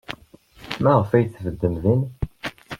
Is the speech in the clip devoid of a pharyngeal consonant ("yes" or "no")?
yes